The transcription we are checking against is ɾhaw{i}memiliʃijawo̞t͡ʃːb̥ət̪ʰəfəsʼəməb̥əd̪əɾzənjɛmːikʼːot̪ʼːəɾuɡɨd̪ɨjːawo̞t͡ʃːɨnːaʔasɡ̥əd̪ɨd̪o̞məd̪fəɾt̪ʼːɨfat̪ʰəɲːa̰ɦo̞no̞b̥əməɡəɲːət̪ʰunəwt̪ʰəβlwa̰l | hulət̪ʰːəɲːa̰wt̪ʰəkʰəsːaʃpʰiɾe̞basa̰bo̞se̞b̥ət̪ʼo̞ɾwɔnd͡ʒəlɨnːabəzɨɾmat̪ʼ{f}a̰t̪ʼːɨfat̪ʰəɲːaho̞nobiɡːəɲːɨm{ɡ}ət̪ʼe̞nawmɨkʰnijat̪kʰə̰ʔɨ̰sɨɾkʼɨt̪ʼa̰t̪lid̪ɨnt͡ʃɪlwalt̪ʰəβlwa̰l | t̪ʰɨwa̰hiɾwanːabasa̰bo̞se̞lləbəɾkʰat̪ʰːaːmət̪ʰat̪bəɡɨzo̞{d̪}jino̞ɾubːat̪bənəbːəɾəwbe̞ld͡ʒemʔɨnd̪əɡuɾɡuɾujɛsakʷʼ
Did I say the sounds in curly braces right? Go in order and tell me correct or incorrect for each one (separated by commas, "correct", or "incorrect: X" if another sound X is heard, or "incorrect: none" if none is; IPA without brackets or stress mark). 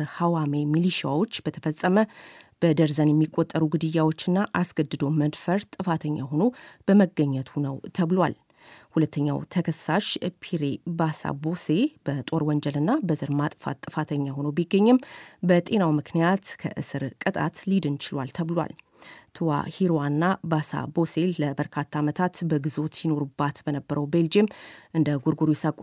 incorrect: a, correct, incorrect: b, incorrect: t̪